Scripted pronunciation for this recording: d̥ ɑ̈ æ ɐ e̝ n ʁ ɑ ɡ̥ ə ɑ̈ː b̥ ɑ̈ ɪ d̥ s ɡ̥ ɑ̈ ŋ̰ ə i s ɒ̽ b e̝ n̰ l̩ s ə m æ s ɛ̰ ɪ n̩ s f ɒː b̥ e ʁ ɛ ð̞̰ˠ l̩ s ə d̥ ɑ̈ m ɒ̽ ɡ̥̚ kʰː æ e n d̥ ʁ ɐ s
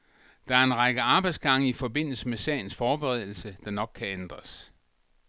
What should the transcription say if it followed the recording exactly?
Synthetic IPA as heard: d̥ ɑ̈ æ ɐ e̝ n ʁ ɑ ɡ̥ ə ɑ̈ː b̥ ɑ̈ ɪ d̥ s ɡ̥ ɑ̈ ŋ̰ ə i f ɒ̽ b e̝ n̰ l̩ s ə m e s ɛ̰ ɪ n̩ s f ɒː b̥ e ʁ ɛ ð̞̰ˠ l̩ s ə d̥ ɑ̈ n ɒ̽ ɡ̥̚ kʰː æ e n d̥ ʁ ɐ s